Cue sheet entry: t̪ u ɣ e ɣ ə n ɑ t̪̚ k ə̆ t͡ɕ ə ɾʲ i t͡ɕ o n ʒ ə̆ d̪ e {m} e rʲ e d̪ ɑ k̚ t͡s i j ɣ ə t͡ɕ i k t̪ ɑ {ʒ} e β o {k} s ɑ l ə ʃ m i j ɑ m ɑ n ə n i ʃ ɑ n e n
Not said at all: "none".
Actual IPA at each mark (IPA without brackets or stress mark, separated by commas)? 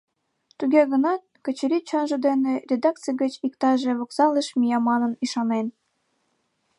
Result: n, ʒ, k